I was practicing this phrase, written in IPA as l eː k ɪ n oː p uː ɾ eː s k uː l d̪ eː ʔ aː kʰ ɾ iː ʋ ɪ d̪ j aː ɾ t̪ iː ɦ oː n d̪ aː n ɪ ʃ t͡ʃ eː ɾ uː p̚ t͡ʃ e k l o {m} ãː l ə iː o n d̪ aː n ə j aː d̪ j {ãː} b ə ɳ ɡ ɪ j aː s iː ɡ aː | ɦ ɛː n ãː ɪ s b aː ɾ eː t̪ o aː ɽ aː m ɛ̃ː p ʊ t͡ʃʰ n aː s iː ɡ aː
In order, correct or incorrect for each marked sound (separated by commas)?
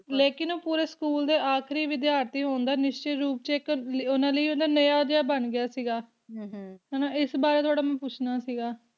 incorrect, incorrect